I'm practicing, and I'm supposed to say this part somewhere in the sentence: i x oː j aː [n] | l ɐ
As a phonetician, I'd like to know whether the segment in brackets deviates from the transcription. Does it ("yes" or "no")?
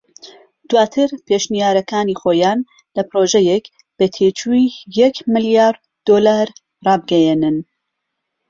no